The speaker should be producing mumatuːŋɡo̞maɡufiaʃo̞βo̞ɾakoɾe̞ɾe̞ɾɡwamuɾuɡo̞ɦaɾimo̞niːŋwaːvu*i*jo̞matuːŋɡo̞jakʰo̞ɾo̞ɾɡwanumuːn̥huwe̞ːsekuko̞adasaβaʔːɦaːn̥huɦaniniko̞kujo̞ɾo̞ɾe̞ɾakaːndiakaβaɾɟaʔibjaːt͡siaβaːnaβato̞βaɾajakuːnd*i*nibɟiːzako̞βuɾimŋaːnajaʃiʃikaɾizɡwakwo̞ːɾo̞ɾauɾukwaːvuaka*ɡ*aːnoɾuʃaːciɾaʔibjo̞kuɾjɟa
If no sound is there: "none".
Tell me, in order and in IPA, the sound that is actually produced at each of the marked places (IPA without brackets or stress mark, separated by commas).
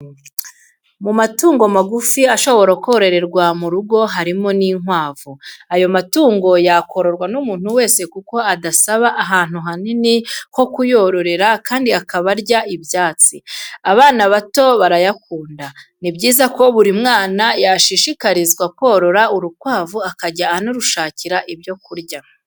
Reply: a, a, ɟ